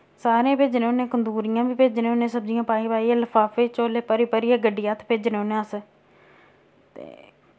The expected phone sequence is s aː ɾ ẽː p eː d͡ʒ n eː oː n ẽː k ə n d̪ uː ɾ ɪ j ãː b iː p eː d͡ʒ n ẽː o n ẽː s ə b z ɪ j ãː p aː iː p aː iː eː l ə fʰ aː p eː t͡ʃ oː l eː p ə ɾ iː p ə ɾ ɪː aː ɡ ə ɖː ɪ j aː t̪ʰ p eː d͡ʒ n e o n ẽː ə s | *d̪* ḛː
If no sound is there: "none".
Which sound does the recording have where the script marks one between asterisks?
t̪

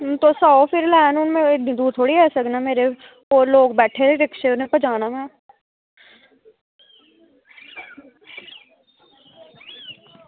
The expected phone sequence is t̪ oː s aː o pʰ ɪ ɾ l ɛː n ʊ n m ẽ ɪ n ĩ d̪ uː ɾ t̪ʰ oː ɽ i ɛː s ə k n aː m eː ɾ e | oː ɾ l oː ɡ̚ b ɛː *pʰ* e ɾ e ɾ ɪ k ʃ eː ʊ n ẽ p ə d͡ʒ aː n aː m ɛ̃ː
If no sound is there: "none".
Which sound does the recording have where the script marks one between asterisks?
ʈʰ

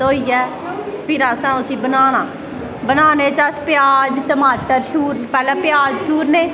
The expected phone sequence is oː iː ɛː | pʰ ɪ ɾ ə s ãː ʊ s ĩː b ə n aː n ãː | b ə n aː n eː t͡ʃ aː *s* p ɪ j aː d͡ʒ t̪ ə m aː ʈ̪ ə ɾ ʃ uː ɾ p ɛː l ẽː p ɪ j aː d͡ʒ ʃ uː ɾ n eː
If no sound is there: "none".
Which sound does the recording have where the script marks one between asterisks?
s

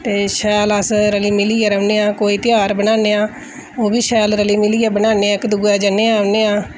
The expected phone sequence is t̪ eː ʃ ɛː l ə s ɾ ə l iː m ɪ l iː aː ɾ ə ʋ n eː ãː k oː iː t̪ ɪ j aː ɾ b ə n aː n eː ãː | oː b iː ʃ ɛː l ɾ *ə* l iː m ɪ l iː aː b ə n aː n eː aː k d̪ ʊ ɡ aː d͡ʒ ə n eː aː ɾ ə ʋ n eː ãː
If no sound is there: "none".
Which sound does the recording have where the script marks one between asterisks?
ə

